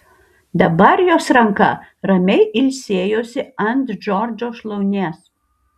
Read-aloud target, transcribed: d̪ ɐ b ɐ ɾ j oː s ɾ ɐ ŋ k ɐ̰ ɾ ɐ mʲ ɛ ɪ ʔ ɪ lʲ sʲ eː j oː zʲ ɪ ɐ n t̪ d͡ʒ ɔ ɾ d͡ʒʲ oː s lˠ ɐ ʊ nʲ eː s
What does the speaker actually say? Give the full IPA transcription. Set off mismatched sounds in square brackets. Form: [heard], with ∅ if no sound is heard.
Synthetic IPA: d̪ ɐ b ɐ ɾ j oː s ɾ ɐ ŋ k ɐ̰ ɾ ɐ mʲ ɛ ɪ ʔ ɪ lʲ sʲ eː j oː [sʲ] ɪ ɐ n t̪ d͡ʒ ɔ ɾ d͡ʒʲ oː [ʃ] lˠ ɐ ʊ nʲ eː s